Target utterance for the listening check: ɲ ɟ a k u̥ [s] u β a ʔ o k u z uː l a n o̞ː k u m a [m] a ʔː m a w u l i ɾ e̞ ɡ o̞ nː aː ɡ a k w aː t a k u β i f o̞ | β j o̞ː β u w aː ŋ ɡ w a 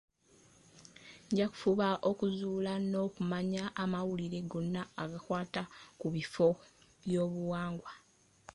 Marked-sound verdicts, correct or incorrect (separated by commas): incorrect, incorrect